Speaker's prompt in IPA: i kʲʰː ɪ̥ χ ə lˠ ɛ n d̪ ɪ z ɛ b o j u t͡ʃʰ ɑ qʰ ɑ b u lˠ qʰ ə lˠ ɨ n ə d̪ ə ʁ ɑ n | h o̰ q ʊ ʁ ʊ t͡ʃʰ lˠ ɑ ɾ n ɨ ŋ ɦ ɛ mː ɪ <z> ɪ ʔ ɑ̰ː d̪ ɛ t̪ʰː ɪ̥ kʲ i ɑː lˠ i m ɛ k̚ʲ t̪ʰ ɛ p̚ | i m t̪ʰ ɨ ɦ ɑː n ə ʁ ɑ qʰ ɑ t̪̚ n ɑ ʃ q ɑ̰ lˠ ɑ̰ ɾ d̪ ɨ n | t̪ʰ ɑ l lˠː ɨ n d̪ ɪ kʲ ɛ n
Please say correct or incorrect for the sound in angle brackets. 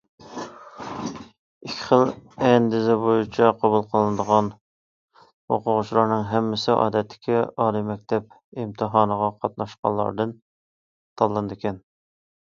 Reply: incorrect